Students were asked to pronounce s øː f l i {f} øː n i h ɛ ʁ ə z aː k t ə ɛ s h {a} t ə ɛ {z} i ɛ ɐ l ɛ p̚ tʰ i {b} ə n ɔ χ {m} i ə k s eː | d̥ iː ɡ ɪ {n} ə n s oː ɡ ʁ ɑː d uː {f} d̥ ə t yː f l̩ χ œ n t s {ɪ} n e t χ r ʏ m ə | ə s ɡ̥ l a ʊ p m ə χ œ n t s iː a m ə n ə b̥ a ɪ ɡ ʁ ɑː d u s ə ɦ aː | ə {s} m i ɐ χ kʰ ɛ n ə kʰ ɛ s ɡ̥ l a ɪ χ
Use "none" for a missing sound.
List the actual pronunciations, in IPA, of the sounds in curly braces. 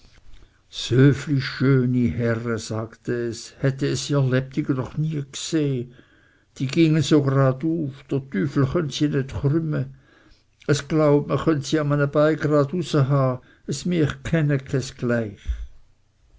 ʃ, ɛ, s, ɡ, n, ŋ, f, i, s

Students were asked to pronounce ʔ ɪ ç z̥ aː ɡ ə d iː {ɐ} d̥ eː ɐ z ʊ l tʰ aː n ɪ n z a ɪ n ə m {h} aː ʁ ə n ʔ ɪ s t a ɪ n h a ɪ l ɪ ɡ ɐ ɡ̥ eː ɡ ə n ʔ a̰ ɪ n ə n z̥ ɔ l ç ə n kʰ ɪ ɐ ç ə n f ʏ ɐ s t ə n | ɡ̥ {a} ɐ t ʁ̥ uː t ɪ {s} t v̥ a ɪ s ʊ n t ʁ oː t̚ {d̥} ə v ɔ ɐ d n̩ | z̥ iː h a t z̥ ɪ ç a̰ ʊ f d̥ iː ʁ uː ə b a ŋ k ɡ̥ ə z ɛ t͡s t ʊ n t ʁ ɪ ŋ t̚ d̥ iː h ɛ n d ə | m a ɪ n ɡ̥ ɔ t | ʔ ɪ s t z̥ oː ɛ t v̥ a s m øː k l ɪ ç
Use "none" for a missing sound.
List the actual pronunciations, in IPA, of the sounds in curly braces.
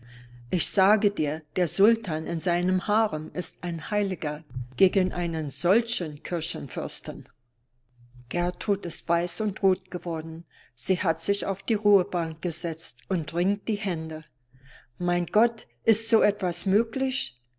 ɐ, h, ɛ, s, ɡ̥

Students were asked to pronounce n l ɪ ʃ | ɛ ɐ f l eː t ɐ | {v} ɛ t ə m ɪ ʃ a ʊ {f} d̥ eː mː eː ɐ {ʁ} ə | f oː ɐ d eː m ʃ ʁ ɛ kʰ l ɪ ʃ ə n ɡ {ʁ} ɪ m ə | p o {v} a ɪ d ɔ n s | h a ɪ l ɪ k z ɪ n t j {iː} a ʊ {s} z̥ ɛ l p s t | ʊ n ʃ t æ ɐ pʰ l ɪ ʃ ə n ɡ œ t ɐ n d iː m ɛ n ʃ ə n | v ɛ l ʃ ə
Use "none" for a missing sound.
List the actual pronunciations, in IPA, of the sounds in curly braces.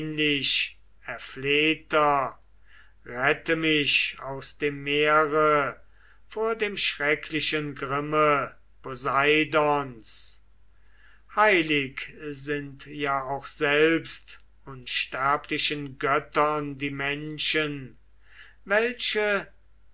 ʁ, s, ʁ, ʁ, z, aː, x

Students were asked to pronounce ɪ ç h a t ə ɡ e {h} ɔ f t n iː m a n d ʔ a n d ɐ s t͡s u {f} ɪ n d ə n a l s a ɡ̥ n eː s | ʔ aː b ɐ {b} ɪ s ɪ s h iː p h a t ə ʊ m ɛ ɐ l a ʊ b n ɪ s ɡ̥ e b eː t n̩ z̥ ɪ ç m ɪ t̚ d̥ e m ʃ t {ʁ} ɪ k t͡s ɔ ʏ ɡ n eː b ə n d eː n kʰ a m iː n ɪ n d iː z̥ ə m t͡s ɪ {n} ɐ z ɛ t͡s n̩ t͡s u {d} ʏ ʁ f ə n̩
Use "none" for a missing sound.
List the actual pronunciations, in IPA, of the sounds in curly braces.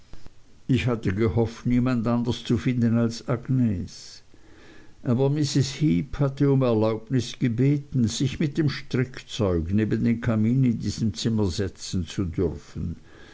h, f, m, ʁ, m, d

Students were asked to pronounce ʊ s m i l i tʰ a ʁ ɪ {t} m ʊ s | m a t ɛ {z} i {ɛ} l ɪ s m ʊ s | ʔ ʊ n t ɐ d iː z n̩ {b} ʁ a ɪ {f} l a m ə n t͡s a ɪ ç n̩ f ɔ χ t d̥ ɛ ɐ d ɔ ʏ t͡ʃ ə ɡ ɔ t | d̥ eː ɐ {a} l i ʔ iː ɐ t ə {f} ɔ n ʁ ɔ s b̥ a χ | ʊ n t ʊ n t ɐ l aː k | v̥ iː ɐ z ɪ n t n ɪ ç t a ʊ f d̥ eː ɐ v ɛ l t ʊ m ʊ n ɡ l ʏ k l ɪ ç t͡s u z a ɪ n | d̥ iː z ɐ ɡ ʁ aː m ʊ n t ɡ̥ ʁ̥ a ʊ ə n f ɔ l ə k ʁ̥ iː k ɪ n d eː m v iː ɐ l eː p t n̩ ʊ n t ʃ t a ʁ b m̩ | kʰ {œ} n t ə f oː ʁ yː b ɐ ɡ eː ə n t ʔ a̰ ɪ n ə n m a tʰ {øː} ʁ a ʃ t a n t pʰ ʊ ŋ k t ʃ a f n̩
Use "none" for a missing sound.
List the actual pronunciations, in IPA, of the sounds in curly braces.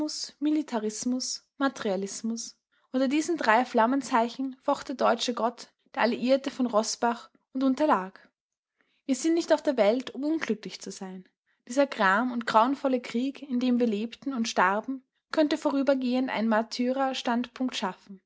s, ʁ, a, d, f, a, f, œ, yː

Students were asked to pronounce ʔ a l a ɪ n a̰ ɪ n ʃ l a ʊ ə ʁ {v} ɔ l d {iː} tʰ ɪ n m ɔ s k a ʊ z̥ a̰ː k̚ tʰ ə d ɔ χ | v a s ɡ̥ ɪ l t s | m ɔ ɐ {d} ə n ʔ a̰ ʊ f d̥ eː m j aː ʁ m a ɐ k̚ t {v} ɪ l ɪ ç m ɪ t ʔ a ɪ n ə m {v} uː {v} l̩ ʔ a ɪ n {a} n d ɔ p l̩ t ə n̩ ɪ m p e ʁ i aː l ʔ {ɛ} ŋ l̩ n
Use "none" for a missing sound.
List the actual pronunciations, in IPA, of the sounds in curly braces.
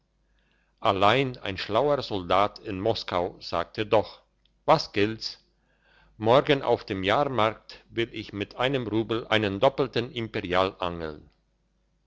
z, aː, ɡ, v, ʁ, b, ə, a

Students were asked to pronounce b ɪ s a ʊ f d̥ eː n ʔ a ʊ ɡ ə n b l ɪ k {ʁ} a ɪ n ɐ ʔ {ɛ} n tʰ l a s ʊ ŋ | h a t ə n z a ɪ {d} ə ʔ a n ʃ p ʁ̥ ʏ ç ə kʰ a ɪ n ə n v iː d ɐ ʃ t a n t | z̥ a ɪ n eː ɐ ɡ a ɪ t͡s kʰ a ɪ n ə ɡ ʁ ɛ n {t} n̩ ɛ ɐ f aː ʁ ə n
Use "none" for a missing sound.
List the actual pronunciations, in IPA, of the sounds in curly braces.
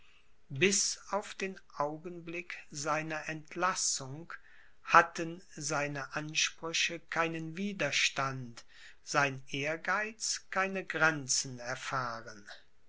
z, ɛ, n, t͡s

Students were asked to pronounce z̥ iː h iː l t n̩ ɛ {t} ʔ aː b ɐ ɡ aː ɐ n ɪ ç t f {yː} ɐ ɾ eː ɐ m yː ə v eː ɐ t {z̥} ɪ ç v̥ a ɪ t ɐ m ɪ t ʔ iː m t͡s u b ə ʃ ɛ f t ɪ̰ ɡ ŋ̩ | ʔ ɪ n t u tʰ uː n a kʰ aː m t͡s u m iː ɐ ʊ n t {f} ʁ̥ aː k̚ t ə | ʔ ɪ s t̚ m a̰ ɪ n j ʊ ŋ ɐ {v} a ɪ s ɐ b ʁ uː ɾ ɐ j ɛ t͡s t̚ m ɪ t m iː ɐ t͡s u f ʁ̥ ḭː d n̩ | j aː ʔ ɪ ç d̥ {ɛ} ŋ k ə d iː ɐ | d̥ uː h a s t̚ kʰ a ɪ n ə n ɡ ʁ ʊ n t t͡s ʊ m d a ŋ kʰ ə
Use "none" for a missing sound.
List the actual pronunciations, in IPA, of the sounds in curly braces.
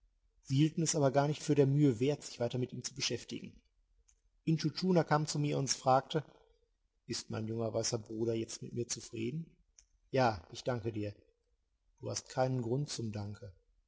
s, yː, z̥, f, v, a

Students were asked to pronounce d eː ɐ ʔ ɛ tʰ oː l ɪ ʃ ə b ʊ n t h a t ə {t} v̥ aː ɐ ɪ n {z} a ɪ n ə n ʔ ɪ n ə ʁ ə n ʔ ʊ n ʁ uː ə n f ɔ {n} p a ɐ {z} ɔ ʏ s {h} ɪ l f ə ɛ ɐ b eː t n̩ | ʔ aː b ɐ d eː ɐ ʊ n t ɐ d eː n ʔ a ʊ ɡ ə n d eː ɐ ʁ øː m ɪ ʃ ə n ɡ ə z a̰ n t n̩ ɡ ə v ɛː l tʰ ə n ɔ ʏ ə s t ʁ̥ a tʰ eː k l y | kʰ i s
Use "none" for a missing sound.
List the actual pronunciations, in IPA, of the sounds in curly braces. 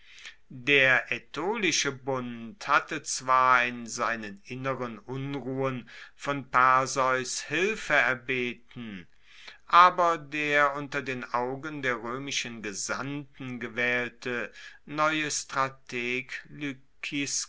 t͡s, z, n, z, h

